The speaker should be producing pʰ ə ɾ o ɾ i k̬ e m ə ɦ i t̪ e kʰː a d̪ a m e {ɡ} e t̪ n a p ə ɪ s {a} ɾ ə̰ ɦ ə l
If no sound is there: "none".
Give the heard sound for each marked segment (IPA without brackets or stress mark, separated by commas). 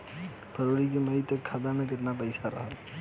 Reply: k, a